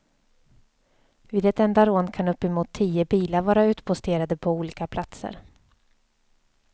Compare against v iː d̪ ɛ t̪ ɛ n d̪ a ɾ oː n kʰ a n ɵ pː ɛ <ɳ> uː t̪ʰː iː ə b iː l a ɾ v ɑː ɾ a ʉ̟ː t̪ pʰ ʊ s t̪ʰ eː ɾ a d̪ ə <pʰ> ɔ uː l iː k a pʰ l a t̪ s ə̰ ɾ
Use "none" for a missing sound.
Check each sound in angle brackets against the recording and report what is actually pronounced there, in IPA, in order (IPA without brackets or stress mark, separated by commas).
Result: m, pʰ